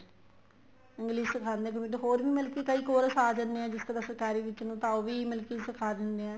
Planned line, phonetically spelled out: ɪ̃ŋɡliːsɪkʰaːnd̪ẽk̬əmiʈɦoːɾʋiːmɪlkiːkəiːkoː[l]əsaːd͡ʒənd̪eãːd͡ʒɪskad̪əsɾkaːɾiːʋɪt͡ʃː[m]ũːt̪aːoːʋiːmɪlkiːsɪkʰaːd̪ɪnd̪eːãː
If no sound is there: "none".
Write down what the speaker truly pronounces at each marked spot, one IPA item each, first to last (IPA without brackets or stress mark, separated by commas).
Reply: ɾ, n